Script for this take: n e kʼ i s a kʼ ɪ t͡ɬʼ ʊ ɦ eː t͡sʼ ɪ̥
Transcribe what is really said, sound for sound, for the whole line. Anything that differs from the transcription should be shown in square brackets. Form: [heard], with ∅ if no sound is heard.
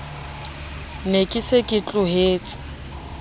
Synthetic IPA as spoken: n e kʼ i s [e] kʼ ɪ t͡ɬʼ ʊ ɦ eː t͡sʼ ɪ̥